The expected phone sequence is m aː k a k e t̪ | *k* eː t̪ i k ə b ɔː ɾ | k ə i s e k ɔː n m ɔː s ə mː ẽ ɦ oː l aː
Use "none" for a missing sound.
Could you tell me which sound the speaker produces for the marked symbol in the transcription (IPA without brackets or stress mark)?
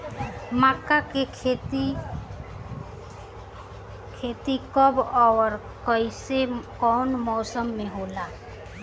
kʰ